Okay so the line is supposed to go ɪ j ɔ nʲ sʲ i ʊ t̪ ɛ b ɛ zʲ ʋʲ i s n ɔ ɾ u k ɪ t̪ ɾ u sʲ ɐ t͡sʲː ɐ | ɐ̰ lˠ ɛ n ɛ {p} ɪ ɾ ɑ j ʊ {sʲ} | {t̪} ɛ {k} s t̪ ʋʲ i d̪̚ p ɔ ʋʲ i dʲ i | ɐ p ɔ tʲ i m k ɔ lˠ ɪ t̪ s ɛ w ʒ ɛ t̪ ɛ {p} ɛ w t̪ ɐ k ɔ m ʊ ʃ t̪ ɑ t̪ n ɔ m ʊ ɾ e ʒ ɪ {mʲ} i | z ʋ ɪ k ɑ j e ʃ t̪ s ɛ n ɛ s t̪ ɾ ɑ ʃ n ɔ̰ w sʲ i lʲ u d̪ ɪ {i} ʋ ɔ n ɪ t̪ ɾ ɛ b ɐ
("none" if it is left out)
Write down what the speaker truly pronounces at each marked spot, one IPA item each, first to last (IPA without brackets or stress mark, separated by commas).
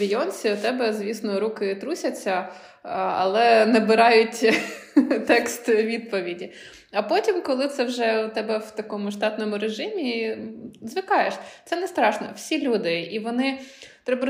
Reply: b, tʲ, t̪, k, b, mʲ, i